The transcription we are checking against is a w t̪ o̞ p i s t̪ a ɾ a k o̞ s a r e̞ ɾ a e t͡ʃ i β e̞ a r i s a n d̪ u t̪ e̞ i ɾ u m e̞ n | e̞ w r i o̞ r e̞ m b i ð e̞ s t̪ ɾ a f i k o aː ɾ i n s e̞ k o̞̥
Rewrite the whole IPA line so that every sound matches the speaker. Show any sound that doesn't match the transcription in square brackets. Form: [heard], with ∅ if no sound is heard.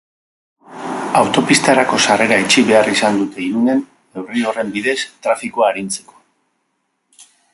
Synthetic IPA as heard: a w t̪ o̞ p i s t̪ a ɾ a k o̞ s a r e̞ ɾ a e t͡ʃ i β e̞ a r i s a n d̪ u t̪ e̞ i ɾ u [n] e̞ n | e̞ w r i o̞ r e̞ m b i ð e̞ s t̪ ɾ a f i k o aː ɾ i n [t͡s] e̞ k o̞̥